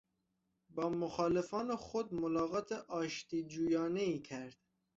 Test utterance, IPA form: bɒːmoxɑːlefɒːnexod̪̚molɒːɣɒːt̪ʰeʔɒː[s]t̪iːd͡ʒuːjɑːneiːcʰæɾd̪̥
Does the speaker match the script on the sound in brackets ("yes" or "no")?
no